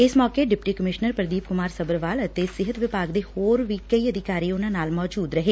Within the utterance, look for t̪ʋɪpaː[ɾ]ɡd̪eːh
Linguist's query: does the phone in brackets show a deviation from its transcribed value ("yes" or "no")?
yes